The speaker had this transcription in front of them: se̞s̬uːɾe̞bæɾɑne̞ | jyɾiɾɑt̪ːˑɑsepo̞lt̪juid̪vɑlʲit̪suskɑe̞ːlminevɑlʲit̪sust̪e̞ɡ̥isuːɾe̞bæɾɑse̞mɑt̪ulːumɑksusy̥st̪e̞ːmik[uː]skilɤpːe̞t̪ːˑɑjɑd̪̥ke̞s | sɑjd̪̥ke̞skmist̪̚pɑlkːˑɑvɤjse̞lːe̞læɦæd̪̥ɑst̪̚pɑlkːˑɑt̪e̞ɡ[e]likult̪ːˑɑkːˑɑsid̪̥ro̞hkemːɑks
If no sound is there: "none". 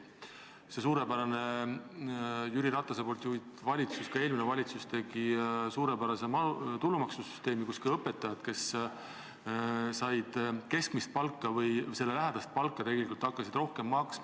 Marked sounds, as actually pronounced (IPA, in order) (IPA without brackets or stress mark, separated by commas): u, e